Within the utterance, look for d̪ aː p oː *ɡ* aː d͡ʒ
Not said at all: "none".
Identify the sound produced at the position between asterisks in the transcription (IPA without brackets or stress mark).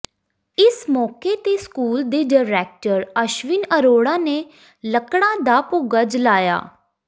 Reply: ɡ